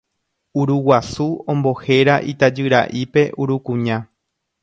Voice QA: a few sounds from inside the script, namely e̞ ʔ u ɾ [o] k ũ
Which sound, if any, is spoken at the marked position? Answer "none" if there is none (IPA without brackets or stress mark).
u